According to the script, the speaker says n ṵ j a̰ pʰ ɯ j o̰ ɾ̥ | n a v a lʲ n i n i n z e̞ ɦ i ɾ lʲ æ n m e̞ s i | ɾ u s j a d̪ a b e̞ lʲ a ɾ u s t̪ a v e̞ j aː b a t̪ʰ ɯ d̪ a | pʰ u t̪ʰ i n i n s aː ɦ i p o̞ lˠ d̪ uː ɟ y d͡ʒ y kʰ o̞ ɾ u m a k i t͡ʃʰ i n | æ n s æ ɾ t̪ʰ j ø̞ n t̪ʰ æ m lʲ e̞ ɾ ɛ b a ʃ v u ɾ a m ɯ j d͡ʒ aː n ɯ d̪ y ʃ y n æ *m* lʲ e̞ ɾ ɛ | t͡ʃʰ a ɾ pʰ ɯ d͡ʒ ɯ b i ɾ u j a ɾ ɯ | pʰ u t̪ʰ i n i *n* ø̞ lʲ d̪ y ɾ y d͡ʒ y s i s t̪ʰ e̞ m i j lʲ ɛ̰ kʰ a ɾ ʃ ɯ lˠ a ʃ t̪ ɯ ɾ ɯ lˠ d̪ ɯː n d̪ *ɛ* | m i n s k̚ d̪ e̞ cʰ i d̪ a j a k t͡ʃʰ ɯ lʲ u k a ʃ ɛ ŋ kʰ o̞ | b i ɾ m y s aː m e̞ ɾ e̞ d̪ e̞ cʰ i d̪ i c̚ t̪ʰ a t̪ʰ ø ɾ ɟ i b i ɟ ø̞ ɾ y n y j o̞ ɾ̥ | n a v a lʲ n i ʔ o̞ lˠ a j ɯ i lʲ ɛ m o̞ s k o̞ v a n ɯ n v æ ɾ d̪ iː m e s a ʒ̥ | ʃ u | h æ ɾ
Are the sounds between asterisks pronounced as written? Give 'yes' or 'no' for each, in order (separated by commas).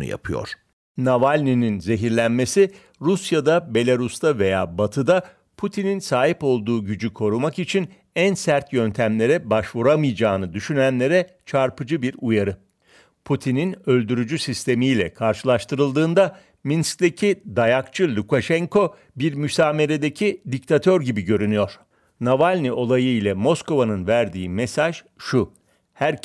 no, yes, no